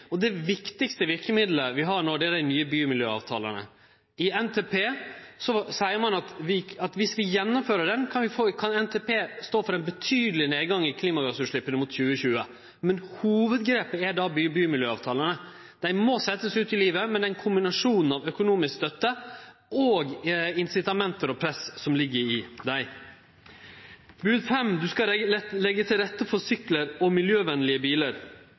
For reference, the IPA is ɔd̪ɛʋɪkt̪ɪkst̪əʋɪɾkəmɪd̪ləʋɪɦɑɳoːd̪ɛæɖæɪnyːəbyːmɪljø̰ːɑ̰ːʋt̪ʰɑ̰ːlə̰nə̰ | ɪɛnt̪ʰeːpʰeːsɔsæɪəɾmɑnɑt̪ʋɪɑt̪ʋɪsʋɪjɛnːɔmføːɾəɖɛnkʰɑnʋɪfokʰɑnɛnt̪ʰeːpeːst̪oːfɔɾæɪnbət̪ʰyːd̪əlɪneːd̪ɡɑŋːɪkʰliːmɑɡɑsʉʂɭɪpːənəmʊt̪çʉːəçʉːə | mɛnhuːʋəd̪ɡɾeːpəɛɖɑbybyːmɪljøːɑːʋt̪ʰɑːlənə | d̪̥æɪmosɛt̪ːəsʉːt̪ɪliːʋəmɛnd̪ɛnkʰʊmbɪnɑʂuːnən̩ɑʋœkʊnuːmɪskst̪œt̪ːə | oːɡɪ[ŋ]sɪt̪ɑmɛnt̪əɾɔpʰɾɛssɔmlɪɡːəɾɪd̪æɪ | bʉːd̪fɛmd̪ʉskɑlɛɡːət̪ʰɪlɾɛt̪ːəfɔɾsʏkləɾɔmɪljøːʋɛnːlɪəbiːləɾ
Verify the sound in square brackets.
incorrect: n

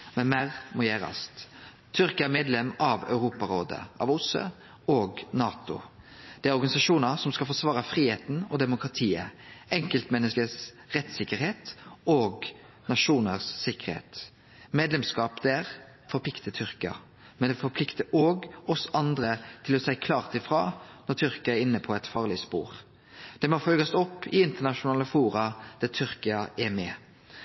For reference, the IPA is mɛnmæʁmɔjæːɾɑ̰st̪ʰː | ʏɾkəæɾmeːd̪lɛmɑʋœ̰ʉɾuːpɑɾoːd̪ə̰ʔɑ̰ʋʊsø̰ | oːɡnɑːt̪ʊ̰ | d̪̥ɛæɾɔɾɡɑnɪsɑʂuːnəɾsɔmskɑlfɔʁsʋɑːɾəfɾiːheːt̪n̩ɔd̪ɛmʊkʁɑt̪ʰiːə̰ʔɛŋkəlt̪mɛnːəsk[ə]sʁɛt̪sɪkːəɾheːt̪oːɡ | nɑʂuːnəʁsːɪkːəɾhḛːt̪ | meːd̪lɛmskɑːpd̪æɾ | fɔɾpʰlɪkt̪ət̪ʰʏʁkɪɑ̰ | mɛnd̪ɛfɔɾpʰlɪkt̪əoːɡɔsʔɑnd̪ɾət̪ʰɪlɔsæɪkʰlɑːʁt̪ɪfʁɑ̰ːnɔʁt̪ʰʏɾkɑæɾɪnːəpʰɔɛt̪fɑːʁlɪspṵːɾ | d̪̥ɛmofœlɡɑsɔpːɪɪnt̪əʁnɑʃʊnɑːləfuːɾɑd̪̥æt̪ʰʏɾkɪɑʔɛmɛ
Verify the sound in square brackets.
correct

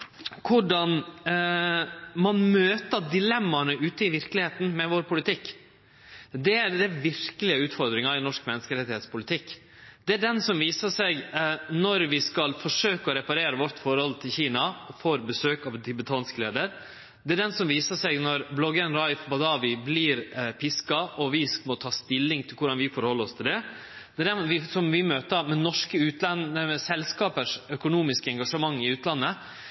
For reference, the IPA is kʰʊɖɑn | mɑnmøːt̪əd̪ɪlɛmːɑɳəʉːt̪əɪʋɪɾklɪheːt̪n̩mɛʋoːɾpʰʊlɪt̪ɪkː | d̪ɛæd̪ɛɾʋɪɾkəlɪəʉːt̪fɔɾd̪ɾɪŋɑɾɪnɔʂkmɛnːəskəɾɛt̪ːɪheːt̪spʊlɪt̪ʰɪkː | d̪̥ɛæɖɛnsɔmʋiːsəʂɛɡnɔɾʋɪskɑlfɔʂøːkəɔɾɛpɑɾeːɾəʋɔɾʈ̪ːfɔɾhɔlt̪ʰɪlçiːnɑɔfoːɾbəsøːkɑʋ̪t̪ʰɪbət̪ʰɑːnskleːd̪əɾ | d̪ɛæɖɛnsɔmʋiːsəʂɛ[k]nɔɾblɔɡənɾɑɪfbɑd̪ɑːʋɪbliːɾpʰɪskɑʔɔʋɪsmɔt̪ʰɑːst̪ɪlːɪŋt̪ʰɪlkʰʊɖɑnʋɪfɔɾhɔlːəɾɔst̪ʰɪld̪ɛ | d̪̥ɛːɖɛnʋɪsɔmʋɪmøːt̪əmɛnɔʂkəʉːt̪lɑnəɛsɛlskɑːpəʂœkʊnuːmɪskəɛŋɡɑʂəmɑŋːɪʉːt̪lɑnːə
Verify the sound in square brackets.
incorrect: ɡ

